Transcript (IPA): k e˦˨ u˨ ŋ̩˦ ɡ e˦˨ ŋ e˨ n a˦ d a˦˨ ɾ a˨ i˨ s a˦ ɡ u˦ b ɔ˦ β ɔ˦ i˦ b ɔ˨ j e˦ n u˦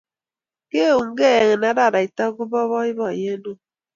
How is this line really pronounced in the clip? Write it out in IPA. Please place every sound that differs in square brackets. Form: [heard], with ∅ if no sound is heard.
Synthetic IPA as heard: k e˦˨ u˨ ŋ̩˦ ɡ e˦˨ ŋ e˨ n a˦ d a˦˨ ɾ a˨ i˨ [t] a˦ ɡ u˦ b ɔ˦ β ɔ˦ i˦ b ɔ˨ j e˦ n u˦